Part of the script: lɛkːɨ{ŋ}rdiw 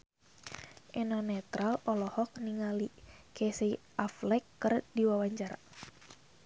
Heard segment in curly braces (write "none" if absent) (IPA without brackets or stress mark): none